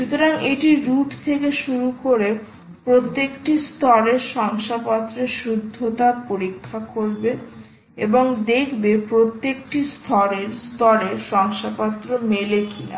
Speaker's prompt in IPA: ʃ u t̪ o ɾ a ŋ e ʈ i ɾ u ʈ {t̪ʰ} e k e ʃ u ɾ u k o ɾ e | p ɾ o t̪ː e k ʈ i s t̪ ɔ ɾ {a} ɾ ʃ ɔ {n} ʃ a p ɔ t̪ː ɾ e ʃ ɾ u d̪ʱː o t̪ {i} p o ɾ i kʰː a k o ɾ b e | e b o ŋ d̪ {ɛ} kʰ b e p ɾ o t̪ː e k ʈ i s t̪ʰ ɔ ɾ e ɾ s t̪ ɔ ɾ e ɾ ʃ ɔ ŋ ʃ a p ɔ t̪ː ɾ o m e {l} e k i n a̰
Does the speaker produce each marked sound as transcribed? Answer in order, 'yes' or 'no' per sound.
yes, no, no, no, no, yes

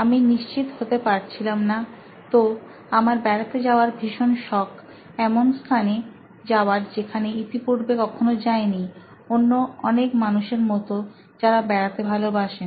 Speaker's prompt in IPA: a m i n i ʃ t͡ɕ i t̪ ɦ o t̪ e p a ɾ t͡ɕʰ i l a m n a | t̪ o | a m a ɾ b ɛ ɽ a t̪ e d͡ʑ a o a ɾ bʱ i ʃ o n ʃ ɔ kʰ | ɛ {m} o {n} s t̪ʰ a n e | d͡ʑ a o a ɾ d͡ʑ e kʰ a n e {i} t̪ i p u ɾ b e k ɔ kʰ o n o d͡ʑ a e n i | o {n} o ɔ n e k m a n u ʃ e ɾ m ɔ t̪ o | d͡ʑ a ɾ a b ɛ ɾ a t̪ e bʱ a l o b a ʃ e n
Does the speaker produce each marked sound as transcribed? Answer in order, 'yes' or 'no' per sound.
yes, yes, yes, no

